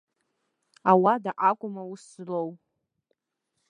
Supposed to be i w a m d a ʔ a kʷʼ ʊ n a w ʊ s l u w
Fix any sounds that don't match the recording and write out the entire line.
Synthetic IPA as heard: a w a d a ʔ a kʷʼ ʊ m a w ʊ s l o w